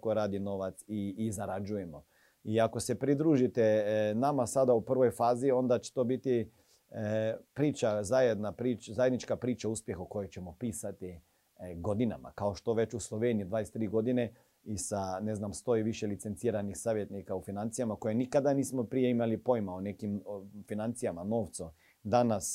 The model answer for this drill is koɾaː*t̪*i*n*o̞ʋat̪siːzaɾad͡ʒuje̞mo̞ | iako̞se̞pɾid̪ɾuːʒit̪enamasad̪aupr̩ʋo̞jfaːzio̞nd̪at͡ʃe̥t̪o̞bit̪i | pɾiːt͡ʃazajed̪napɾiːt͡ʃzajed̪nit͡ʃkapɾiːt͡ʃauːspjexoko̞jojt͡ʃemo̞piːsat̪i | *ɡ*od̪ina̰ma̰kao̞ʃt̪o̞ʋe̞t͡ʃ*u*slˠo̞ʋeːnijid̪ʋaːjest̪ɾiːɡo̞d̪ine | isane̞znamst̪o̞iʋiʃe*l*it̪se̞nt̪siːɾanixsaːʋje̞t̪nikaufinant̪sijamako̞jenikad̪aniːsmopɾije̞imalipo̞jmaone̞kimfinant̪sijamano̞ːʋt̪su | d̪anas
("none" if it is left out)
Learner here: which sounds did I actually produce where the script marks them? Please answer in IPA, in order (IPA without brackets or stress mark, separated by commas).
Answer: d̪, n, ɡ, u, l